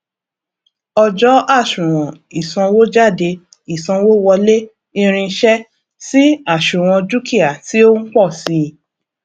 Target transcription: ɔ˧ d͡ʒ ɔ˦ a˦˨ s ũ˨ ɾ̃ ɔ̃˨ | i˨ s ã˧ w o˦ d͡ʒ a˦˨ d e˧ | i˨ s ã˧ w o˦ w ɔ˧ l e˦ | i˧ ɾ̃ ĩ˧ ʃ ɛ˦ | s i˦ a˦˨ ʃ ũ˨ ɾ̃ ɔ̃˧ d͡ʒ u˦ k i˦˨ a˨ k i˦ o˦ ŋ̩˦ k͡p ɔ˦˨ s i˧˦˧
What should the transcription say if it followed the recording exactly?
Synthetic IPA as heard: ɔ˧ d͡ʒ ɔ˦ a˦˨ ʃ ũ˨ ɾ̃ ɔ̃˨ | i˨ s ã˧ w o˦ d͡ʒ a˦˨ d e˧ | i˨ s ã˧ w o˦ w ɔ˧ l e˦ | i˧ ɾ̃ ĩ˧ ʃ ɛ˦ | s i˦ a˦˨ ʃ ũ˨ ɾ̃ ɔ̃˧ d͡ʒ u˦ k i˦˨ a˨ t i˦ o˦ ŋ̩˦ k͡p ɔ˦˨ s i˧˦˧